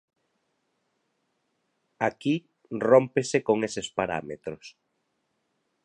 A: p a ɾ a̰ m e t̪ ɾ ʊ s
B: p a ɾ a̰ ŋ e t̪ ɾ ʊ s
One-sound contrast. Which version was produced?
A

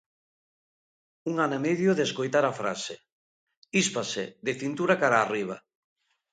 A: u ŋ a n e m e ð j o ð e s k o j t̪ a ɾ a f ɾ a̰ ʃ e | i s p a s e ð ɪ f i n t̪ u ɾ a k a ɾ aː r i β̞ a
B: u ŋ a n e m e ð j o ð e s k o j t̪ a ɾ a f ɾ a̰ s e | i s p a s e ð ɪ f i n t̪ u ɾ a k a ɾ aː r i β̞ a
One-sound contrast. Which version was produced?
B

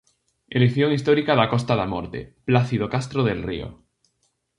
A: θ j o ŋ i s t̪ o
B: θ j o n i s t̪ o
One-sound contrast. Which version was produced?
A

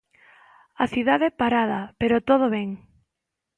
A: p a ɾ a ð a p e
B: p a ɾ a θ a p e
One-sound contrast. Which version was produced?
A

